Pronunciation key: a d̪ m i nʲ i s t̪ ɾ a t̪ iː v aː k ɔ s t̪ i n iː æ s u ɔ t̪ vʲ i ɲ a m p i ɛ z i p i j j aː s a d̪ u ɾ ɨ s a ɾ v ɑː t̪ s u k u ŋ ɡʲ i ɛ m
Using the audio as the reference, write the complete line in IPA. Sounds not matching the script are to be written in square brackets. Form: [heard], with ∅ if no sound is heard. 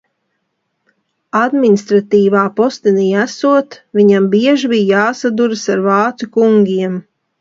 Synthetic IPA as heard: a d̪ m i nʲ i s t̪ ɾ a t̪ iː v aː [p] ɔ s t̪ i n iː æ s u ɔ t̪ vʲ i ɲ a m [b] i ɛ [ʒ] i [b] i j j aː s a d̪ u ɾ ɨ s a ɾ v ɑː t̪ s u k u ŋ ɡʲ i ɛ m